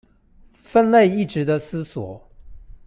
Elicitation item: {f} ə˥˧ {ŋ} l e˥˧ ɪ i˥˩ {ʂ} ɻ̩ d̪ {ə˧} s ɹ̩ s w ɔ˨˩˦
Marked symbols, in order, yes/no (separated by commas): yes, no, no, yes